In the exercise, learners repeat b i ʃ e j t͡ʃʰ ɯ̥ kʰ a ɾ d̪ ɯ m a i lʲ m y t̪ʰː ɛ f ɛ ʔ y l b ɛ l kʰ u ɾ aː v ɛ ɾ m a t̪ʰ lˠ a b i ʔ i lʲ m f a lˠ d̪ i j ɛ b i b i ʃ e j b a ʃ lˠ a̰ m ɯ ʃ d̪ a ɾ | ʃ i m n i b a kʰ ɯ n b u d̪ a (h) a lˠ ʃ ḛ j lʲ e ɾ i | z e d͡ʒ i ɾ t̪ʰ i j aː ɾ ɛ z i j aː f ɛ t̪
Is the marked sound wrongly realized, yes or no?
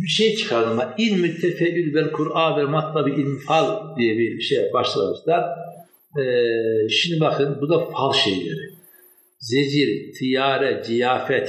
yes